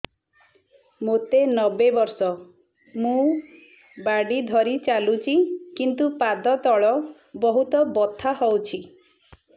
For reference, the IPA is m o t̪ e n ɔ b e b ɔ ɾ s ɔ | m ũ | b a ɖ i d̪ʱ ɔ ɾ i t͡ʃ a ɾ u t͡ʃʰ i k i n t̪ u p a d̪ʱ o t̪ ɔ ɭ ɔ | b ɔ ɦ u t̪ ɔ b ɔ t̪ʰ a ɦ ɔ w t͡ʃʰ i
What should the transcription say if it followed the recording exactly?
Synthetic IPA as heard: m o t̪ e n ɔ b e b ɔ ɾ s ɔ | m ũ | b a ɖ i d̪ʱ ɔ ɾ i t͡ʃ a l u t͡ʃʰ i k i n t̪ u p a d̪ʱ ɔ t̪ ɔ ɭ ɔ | b ɔ ɦ u t̪ ɔ b ɔ t̪ʰ a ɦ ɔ w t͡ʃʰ i

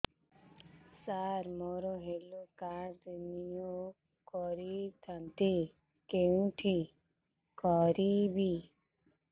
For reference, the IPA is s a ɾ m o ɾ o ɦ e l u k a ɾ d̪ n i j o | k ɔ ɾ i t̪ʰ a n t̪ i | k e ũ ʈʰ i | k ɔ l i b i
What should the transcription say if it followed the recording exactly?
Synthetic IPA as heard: s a ɾ m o ɾ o ɦ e l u k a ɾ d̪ n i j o | k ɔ ɾ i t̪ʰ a n t̪ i | k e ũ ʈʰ i | k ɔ ɾ i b i

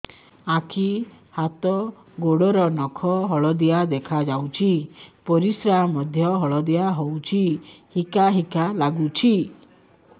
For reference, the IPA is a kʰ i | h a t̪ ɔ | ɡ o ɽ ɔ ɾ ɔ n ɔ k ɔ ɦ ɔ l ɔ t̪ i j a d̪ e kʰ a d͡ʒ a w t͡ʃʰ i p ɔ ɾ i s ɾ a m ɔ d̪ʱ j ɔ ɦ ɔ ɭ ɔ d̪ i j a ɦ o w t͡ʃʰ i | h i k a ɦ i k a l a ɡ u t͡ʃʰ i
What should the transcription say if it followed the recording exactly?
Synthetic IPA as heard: a kʰ i | h a t̪ ɔ | ɡ o ɽ ɔ ɾ ɔ n ɔ kʰ ɔ ɦ ɔ ɭ ɔ d̪ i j a d̪ e kʰ a d͡ʒ a w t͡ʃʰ i p ɔ ɾ i s ɾ a m ɔ d̪ʱ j ɔ ɦ ɔ ɭ ɔ d̪ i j a ɦ o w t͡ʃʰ i | h i k a ɦ i k a l a ɡ u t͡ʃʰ i

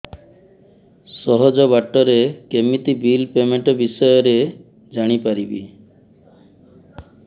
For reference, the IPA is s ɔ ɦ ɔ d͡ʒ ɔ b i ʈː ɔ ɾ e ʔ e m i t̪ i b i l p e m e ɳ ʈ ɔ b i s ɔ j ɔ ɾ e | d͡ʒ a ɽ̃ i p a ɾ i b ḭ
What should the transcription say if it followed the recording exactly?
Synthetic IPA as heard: s ɔ ɦ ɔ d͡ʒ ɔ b a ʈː ɔ ɾ e k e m i t̪ i b i l p e m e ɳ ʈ ɔ b i s ɔ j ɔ ɾ e | d͡ʒ a ɽ̃ i p a ɾ i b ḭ

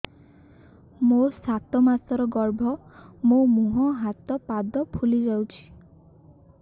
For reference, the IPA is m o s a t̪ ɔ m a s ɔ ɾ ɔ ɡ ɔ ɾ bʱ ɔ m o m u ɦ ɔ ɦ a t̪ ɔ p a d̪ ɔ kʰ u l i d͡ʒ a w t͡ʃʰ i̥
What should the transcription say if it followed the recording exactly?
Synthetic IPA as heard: m o s a t̪ ɔ m a s ɔ ɾ ɔ ɡ ɔ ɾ bʱ ɔ m o m u ɦ ɔ ɦ a t̪ ɔ p a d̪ ɔ pʰ u l i d͡ʒ a w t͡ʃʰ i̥

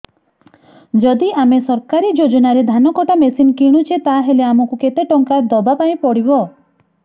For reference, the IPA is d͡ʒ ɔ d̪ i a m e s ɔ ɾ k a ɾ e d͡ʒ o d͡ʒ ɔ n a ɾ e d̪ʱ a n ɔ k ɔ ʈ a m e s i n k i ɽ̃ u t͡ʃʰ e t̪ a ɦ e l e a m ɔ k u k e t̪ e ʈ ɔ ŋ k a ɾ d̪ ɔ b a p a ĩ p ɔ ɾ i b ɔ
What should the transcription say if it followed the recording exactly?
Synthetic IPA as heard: d͡ʒ ɔ d̪ i a m e s ɔ ɾ k a ɾ i d͡ʒ o d͡ʒ ɔ n a ɾ e d̪ʱ a n ɔ k ɔ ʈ a m e s i n k i ɽ̃ u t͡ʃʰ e t̪ a ɦ e l e a m ɔ k u k e t̪ e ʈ ɔ ŋ k a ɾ d̪ ɔ b a p a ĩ p ɔ ɽ i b ɔ

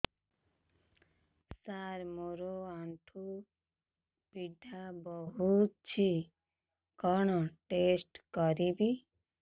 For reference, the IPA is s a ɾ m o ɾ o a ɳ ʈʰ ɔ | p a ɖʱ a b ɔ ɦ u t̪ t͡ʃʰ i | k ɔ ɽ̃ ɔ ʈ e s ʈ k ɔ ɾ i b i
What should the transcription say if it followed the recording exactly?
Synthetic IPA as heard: s a ɾ m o ɾ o a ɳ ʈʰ u | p i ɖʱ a b ɔ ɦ u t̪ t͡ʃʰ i | k ɔ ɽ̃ ɔ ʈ e s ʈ k ɔ ɾ i b i

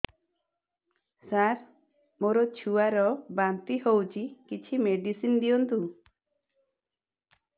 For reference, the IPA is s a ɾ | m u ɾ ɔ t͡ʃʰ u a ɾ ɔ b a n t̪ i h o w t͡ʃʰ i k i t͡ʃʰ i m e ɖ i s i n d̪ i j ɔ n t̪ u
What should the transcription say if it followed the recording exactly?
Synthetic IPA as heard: s a ɾ | m o ɾ ɔ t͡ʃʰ u a ɾ ɔ b a n t̪ i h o w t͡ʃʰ i k i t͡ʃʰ i m e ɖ i s i n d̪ i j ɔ n t̪ u

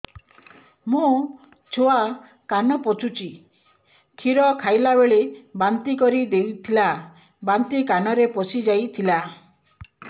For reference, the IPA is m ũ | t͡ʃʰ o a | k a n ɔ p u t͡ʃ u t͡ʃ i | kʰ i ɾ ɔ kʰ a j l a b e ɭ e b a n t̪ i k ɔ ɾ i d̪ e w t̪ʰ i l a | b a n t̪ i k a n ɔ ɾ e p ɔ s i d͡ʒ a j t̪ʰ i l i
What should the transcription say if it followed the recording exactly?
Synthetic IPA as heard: m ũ | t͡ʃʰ o a | k a n ɔ p ɔ t͡ʃ u t͡ʃ i | kʰ i ɾ ɔ kʰ a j l a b e ɭ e b a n t̪ i k ɔ ɾ i d̪ e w t̪ʰ i l a | b a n t̪ i k a n ɔ ɾ e p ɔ s i d͡ʒ a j t̪ʰ i l a

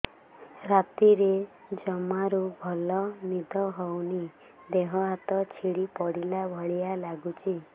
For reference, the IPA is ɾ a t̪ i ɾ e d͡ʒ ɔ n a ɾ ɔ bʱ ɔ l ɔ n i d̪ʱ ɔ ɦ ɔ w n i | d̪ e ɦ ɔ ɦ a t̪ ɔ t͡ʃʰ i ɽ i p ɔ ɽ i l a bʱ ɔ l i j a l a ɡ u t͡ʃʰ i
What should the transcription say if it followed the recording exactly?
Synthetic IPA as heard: ɾ a t̪ i ɾ e d͡ʒ ɔ m a ɾ u bʱ ɔ l ɔ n i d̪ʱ ɔ ɦ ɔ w n i | d̪ e ɦ ɔ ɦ a t̪ ɔ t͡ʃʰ i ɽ i p ɔ ɽ i l a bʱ ɔ ɭ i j a l a ɡ u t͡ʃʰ i

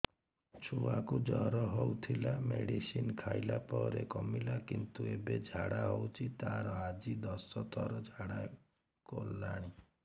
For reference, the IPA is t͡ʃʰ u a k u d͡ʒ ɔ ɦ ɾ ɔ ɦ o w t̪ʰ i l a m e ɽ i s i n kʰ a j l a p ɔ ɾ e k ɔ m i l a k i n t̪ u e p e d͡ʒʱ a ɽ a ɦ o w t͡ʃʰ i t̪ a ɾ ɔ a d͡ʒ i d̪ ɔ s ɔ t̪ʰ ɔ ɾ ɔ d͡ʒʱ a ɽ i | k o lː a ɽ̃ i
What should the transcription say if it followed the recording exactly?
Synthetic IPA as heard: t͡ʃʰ u a k u d͡ʒ ɔ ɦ ɾ ɔ ɦ o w t̪ʰ i l a m e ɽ i s i n kʰ a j l a p ɔ ɾ e k ɔ m i l a k i n t̪ u e b e d͡ʒʱ a ɽ a ɦ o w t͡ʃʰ i t̪ a ɾ ɔ a d͡ʒ i d̪ ɔ s ɔ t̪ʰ ɔ ɾ ɔ d͡ʒʱ a ɽ a | k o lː a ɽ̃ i

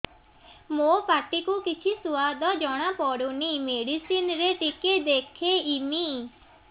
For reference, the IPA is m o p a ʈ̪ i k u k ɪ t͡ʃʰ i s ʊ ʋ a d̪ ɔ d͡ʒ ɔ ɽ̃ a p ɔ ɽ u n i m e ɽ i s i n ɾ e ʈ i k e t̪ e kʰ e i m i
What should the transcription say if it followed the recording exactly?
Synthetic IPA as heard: m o p a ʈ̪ i k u k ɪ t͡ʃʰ i s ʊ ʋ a d̪ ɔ d͡ʒ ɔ ɽ̃ a p ɔ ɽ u n i m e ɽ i s i n ɾ e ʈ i k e d̪ e kʰ e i m i

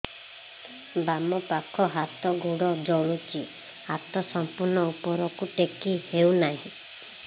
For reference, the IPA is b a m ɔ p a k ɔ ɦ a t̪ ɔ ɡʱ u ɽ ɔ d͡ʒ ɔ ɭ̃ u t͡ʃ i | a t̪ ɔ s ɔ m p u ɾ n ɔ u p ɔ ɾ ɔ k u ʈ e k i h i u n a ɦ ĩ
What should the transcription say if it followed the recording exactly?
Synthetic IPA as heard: b a m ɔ p a kʰ ɔ ɦ a t̪ ɔ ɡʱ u ɽ ɔ d͡ʒ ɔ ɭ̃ u t͡ʃ i | a t̪ ɔ s ɔ m p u ɾ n ɔ u p ɔ ɾ ɔ k u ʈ e k i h e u n a ɦ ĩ

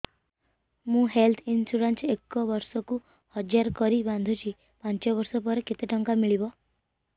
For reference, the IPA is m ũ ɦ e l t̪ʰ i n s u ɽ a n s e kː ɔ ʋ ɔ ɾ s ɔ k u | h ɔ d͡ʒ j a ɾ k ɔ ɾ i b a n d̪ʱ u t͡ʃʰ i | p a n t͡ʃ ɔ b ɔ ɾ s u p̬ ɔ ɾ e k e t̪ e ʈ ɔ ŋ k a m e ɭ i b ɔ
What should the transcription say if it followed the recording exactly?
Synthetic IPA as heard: m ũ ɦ e l t̪ʰ i n s u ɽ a n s e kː ɔ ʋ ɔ ɾ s ɔ k u | h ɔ d͡ʒ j a ɾ k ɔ ɾ i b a n d̪ʱ u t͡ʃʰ i | p a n t͡ʃ ɔ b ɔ ɾ s ɔ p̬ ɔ ɾ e k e t̪ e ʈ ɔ ŋ k a m i ɭ i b ɔ

